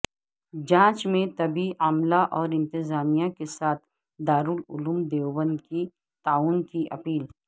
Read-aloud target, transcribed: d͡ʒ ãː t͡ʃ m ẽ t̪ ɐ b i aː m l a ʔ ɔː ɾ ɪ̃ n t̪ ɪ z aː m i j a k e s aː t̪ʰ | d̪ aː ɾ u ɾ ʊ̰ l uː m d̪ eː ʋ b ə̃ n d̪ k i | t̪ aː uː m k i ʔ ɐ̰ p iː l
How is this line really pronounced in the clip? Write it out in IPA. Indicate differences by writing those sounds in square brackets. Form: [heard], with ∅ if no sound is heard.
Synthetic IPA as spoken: d͡ʒ ãː t͡ʃ m ẽ t̪ ɐ b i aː m l a ʔ ɔː ɾ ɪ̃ n t̪ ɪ z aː m i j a k e s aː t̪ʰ | d̪ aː ɾ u [l] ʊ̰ l uː m d̪ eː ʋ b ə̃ n d̪ k i | t̪ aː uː [n] k i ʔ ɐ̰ p iː l